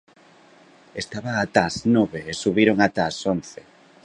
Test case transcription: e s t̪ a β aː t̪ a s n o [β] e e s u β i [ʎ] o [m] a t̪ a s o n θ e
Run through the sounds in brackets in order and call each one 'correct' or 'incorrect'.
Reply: correct, incorrect, incorrect

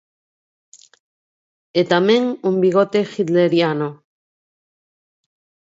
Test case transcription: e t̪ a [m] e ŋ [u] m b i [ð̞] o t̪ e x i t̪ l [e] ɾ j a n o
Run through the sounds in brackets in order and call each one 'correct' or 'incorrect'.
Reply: correct, correct, incorrect, correct

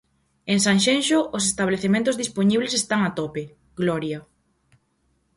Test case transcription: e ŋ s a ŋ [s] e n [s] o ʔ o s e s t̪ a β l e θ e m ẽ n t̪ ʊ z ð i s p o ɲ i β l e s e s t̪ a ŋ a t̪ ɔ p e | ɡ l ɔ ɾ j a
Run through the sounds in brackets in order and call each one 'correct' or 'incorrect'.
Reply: incorrect, incorrect

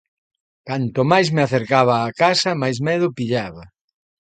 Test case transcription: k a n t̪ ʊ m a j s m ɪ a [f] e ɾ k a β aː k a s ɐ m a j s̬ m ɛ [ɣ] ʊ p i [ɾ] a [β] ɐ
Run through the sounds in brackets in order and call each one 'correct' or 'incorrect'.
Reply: incorrect, incorrect, incorrect, correct

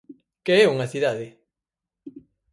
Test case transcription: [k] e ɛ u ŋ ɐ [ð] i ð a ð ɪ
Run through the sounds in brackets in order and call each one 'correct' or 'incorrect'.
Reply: correct, incorrect

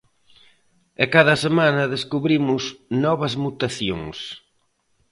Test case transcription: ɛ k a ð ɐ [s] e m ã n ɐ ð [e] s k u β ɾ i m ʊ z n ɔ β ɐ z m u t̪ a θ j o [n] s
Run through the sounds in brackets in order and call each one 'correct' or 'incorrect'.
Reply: correct, correct, incorrect

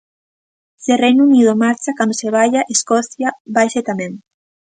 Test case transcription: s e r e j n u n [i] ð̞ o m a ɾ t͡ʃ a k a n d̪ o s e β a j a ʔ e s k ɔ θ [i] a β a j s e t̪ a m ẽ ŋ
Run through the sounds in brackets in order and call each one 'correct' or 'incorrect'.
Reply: correct, incorrect

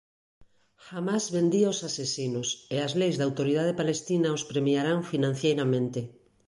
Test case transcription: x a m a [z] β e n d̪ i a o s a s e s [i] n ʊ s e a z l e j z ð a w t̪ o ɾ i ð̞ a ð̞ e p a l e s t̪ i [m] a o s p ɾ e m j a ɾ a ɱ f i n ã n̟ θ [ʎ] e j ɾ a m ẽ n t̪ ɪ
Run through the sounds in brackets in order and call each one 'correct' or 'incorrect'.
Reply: correct, correct, incorrect, incorrect

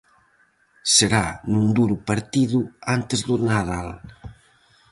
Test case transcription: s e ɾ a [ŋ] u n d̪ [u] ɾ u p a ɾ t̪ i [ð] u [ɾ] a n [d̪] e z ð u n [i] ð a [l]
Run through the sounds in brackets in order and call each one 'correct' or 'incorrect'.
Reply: incorrect, correct, correct, incorrect, incorrect, incorrect, correct

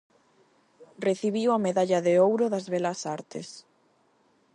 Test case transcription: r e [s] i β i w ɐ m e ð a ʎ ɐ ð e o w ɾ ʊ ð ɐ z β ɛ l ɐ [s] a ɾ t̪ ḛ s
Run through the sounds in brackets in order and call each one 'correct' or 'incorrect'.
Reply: incorrect, correct

